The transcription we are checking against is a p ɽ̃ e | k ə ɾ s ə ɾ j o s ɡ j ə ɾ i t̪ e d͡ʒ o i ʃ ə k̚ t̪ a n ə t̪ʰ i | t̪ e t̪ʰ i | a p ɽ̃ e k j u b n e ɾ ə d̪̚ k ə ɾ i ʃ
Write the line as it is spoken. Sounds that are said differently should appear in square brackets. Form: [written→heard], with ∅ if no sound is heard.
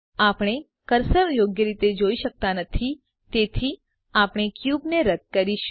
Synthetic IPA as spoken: a p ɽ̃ e | k ə ɾ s ə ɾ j o [s→∅] ɡ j ə ɾ i t̪ e d͡ʒ o i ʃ ə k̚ t̪ a n ə t̪ʰ i | t̪ e t̪ʰ i | a p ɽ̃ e k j u b n e ɾ ə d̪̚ k ə ɾ i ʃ